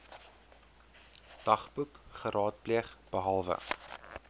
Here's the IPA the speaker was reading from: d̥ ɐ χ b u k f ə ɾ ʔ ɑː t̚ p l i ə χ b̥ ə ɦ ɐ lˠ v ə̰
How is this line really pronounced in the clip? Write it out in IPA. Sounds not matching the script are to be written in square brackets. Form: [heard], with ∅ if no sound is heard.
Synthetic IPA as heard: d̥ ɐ χ b u k [χ] ə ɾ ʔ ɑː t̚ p l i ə χ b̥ ə ɦ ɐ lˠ v ə̰